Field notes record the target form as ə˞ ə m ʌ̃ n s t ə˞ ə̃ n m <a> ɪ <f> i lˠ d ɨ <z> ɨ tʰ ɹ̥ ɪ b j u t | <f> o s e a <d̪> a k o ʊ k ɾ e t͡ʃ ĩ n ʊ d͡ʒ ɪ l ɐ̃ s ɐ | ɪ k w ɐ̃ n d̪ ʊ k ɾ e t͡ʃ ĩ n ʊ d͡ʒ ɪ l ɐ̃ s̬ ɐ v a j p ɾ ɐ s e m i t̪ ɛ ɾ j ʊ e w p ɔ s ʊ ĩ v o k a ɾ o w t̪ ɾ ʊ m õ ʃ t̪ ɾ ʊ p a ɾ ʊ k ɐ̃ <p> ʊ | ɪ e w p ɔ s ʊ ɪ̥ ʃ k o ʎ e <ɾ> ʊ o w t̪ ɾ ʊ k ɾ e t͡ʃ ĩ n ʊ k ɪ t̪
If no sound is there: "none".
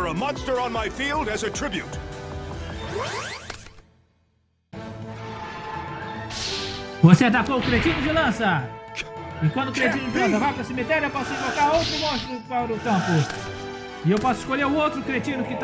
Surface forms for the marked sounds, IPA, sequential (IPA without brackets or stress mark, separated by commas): a, f, z, v, t̪, p, ɾ